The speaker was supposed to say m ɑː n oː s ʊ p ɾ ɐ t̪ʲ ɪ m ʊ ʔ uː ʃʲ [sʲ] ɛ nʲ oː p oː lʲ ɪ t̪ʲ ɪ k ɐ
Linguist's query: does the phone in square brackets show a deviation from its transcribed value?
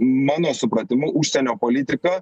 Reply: no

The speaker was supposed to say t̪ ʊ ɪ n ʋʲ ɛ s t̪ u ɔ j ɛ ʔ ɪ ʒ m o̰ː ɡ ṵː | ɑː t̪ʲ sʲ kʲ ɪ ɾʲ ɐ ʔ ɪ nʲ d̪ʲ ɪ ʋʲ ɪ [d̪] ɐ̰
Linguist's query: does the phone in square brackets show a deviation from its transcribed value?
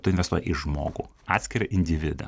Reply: no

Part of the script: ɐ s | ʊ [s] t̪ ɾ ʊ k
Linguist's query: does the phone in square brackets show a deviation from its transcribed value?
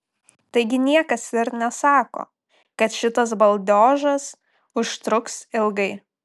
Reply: yes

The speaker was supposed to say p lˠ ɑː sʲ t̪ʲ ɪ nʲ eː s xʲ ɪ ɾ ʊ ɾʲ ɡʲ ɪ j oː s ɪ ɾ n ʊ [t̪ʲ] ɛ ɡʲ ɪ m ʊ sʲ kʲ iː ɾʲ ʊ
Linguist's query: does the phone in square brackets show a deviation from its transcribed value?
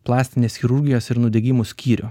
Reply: yes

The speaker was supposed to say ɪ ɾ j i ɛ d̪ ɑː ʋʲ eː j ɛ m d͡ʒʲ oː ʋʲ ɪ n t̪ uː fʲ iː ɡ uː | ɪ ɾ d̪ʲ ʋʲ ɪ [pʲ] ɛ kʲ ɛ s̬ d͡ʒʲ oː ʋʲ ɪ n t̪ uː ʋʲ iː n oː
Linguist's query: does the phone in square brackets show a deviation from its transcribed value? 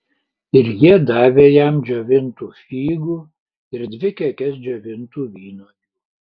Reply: yes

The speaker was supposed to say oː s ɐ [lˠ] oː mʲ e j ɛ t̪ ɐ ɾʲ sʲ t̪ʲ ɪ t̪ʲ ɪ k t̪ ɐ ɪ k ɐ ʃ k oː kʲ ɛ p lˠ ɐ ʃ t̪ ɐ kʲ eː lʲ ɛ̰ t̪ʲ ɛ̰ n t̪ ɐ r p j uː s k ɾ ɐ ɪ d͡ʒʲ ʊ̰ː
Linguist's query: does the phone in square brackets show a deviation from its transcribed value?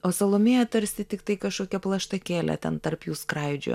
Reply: no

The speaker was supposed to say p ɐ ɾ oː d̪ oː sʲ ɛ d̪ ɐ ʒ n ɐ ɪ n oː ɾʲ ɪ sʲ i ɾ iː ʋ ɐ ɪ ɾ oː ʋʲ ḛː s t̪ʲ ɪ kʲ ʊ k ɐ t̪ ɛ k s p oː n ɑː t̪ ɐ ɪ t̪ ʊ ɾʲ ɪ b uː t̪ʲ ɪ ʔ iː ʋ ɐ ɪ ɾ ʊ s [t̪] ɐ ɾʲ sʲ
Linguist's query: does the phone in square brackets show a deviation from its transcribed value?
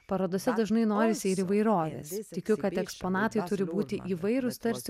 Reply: no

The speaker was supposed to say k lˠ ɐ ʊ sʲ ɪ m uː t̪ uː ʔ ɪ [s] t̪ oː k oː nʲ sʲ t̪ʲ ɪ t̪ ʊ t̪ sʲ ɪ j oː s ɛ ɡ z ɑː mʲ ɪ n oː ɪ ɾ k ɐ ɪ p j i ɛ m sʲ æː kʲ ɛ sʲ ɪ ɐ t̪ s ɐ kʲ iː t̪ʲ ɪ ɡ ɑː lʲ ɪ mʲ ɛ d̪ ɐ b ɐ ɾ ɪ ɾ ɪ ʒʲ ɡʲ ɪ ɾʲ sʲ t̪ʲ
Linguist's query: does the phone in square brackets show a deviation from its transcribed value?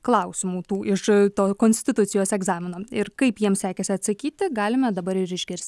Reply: yes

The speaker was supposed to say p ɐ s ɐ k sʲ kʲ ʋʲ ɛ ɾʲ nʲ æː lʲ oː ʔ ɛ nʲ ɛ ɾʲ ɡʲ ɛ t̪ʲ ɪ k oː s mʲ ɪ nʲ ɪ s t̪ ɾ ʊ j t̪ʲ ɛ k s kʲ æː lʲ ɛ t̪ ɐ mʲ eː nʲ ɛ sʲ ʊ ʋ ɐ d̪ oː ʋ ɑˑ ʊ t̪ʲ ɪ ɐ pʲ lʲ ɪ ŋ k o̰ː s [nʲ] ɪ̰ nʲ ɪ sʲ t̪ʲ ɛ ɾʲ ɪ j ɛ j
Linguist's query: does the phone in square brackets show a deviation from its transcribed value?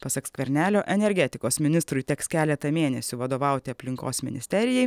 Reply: yes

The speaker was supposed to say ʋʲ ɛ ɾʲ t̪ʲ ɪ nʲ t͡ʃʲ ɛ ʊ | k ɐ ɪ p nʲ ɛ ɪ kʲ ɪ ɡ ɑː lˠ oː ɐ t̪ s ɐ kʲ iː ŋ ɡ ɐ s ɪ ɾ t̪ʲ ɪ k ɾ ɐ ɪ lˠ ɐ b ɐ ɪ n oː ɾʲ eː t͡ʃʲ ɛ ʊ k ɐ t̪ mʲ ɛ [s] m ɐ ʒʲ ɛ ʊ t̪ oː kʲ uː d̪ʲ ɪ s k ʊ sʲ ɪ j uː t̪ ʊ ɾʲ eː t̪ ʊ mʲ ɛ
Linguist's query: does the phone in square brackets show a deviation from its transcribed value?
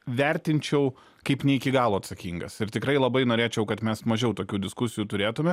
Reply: no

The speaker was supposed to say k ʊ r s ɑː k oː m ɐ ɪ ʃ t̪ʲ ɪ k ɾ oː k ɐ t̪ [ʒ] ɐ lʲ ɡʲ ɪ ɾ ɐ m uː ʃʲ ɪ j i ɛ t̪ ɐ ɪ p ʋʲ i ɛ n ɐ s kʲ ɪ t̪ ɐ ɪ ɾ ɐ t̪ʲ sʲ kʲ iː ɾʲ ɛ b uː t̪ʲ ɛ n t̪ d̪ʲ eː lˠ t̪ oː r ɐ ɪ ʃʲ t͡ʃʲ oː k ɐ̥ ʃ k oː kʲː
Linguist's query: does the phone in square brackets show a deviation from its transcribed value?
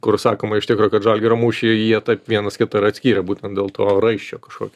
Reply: no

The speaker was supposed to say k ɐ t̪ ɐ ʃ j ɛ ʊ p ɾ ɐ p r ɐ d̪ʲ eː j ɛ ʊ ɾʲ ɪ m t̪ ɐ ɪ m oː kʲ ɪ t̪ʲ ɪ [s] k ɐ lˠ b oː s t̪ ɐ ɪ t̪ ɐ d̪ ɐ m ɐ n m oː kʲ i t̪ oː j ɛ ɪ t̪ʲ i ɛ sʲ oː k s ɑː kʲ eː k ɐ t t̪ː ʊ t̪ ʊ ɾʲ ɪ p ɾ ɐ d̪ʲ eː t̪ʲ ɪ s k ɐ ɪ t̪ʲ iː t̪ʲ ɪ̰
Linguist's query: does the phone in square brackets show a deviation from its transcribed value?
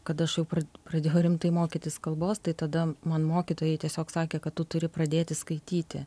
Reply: no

